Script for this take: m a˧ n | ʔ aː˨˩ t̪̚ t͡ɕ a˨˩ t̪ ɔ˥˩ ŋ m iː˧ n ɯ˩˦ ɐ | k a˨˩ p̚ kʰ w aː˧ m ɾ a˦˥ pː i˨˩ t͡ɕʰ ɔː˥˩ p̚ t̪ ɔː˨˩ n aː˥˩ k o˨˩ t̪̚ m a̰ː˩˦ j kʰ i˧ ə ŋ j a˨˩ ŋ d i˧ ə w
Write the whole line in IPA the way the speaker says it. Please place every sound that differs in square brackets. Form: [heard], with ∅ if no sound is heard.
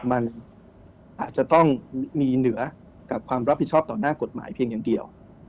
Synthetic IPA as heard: m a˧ n | ʔ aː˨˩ t̪̚ t͡ɕ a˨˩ t̪ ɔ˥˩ ŋ m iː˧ n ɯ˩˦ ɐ | k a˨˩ p̚ kʰ w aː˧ m ɾ a˦˥ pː i˨˩ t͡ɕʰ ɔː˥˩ p̚ t̪ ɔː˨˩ n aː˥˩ k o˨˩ t̪̚ m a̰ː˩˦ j [pʰ] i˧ ə ŋ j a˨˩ ŋ d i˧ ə w